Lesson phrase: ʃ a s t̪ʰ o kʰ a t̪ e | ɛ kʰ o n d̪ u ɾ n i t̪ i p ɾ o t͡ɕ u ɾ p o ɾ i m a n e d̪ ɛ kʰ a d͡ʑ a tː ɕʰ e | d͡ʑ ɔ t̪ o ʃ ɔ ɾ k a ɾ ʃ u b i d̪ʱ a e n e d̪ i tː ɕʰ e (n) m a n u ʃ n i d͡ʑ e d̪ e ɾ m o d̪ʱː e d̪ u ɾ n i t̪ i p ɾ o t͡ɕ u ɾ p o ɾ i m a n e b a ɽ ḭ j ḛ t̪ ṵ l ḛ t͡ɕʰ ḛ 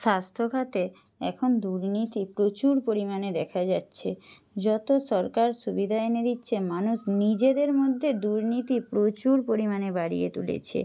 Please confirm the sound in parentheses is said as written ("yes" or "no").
no